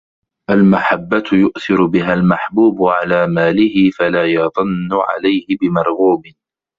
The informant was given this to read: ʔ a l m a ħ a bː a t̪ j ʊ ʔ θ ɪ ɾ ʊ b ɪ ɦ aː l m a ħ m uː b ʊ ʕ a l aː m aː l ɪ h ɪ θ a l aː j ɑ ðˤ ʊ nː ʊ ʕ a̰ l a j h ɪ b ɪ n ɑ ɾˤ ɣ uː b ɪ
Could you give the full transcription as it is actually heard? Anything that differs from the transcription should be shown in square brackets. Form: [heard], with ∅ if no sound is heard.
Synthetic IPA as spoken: ʔ a l m a ħ a bː a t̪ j ʊ ʔ θ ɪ ɾ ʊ b ɪ ɦ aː l m a ħ [b] uː b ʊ ʕ a l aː m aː l ɪ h ɪ [f] a l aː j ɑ ðˤ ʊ nː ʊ ʕ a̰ l a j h ɪ b ɪ [m] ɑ ɾˤ ɣ uː b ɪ